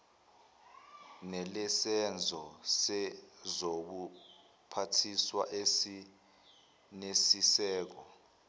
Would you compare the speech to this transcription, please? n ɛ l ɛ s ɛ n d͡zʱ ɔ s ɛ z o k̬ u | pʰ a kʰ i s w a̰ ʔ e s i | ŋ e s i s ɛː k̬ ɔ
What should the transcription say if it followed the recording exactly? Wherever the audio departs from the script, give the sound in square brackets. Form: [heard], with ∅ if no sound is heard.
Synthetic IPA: n ɛ l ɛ s ɛ n d͡zʱ ɔ s ɛ z o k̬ u | pʰ a [tʰ] i s w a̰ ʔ e s i | [n] e s i s ɛː k̬ ɔ